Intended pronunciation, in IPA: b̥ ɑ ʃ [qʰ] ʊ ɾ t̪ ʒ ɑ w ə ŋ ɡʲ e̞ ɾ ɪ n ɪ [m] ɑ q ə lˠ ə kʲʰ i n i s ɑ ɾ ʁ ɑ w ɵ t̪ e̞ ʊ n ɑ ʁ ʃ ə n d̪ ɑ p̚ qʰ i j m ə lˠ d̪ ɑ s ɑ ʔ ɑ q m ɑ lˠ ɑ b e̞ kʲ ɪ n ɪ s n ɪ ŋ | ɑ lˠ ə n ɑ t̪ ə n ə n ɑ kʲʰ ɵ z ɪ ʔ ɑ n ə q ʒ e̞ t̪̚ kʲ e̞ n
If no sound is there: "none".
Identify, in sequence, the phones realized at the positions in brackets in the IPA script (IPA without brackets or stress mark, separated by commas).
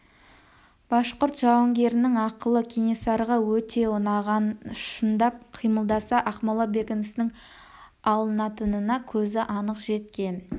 q, ŋ